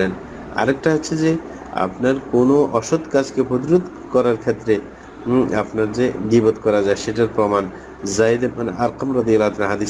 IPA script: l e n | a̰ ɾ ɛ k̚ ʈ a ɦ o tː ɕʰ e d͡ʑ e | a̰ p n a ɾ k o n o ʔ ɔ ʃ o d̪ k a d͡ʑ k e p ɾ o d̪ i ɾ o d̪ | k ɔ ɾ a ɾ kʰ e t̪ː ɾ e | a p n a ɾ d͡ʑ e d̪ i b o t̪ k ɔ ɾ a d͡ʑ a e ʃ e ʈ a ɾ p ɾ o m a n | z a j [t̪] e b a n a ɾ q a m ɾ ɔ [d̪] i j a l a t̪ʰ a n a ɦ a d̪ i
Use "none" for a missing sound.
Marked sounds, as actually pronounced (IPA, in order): d̪, d̪

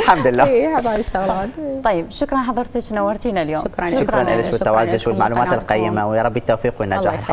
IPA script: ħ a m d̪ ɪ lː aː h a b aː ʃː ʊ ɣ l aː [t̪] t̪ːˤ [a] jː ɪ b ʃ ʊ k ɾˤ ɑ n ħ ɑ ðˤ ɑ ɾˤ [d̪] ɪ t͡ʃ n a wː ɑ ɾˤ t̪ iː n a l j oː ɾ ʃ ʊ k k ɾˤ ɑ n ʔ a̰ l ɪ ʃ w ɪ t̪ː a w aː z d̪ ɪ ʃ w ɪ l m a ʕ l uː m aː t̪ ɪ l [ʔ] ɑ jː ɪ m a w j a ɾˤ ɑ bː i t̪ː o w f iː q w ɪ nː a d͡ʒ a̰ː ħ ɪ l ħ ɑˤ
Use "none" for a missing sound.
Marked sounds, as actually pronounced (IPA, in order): t̪, ɑ, t̪, q

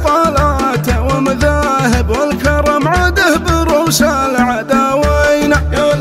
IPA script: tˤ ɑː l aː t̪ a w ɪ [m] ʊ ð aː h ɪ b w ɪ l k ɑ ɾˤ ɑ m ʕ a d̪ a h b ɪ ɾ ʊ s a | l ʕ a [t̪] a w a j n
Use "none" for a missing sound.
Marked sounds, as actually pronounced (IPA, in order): m, d̪

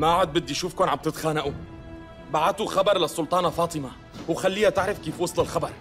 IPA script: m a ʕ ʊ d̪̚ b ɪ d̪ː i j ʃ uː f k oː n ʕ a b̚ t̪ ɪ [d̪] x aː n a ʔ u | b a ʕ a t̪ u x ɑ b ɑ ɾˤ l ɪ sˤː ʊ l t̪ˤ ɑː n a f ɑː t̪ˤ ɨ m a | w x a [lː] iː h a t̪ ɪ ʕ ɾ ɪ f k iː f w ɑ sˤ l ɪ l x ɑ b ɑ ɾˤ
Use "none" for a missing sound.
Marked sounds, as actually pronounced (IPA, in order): t̪, lː

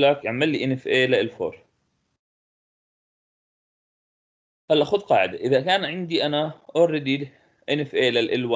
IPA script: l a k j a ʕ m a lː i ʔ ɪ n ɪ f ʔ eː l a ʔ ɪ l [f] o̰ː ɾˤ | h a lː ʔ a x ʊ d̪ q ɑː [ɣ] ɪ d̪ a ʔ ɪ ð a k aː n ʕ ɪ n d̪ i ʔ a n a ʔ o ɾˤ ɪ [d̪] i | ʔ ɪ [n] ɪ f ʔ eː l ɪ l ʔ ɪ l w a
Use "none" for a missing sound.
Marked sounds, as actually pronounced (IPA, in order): f, ʕ, d̪, n

